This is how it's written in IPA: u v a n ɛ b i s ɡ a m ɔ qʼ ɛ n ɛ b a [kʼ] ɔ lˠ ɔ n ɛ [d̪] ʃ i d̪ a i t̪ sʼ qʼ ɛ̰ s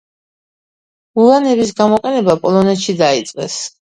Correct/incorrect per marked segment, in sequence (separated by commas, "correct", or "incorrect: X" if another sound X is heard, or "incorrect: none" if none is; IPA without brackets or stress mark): incorrect: pʼ, incorrect: t̪